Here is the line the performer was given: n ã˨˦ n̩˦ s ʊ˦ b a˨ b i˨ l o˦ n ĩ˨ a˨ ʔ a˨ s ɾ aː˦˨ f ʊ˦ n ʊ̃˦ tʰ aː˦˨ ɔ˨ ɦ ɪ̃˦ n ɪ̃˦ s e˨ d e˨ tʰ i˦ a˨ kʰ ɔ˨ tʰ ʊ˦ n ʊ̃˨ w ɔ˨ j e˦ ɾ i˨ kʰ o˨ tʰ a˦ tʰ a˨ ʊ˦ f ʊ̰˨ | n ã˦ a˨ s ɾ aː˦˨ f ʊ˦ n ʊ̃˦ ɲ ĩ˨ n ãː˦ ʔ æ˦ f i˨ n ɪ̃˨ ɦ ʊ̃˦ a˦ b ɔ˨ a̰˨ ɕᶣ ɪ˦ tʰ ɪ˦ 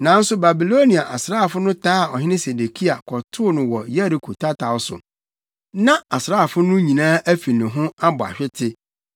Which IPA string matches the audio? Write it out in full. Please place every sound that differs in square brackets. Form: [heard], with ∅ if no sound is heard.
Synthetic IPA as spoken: n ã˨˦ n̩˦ s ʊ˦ b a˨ b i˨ l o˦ n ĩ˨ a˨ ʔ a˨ s ɾ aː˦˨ f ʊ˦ n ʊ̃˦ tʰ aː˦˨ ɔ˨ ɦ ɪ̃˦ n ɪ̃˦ s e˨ d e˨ [kʰ] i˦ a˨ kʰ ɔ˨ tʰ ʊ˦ n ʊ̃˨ w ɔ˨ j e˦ ɾ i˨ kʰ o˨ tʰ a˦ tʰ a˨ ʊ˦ [s] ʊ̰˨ | n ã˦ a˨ s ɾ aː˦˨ f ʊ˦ n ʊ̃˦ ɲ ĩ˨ n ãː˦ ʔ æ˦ f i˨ n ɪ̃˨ ɦ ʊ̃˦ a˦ b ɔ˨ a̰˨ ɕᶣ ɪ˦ tʰ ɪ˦